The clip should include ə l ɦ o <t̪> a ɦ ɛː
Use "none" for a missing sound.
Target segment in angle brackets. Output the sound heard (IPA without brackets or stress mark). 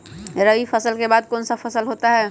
t̪